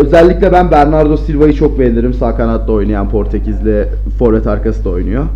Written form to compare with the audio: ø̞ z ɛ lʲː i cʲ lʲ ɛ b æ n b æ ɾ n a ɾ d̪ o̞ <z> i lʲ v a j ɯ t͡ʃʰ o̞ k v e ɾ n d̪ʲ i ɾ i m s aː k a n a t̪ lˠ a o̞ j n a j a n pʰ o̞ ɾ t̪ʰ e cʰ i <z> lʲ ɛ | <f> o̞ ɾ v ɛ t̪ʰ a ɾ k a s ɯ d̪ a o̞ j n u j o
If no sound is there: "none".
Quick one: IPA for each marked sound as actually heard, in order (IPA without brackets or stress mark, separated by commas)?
s, z, f